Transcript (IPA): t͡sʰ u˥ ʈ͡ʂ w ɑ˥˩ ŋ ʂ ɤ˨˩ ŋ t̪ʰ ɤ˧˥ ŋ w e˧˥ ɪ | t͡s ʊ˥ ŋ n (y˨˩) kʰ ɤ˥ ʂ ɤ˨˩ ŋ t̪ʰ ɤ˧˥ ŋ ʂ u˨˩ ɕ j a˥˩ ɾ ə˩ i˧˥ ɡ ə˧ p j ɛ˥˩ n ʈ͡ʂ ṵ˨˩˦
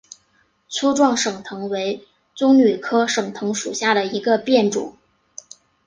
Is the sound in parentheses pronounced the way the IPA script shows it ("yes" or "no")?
yes